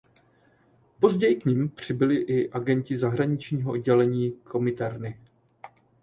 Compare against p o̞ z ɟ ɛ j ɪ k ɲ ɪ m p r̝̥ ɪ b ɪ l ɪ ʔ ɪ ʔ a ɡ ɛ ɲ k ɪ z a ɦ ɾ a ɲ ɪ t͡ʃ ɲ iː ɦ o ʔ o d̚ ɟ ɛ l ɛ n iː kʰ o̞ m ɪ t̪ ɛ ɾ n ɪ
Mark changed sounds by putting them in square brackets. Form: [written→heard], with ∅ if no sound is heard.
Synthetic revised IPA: p o̞ z ɟ ɛ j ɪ k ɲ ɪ m p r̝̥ ɪ b ɪ l ɪ ʔ ɪ ʔ a ɡ ɛ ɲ [k→c] ɪ z a ɦ ɾ a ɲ ɪ t͡ʃ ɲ iː ɦ o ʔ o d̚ ɟ ɛ l ɛ [n→ɲ] iː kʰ o̞ m ɪ t̪ ɛ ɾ n ɪ